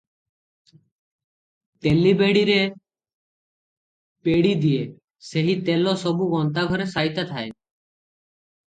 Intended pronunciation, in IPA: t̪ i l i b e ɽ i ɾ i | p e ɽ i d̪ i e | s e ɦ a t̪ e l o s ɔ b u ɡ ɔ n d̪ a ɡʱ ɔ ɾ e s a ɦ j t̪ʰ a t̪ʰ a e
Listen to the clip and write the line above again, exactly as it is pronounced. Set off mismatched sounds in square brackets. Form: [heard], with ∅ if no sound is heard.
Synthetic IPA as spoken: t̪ [e] l i b e ɽ i ɾ [e] | p e ɽ i d̪ i e | s e ɦ [i] t̪ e l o s ɔ b u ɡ ɔ n [t̪] a ɡʱ ɔ ɾ e s a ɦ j [t̪] a t̪ʰ a e